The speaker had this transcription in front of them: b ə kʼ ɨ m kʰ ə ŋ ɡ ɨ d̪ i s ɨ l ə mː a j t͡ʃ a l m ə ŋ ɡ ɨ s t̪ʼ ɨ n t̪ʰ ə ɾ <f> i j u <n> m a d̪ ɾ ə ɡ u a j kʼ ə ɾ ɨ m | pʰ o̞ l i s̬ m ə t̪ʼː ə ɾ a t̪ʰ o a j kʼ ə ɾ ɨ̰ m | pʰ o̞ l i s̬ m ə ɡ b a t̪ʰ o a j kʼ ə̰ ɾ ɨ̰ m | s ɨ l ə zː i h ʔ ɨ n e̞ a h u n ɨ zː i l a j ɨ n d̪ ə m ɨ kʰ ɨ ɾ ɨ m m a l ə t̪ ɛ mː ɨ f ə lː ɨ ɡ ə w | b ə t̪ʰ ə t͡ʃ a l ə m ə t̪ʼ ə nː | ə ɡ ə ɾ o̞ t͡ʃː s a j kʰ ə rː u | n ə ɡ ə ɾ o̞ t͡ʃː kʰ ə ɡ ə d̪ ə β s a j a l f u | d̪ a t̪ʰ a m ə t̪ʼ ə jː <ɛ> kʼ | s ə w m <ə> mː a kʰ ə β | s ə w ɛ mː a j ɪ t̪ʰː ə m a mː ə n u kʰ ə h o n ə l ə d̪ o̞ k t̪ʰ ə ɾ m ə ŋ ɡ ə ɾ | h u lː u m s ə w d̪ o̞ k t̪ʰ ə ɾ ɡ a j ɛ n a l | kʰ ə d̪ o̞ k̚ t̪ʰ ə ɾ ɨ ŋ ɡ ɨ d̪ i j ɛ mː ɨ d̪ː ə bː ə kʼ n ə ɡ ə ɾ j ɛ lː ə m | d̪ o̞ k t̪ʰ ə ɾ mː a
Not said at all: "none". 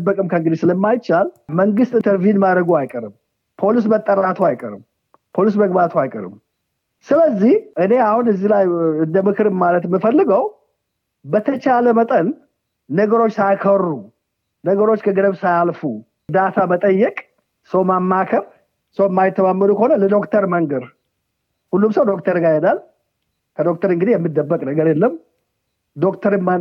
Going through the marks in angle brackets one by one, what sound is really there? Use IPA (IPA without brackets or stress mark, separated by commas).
v, n, ɛ, a